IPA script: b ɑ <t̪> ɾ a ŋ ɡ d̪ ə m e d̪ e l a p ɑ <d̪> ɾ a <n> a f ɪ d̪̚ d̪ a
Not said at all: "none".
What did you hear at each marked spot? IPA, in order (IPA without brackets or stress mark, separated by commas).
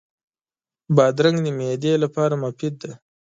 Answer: d̪, none, m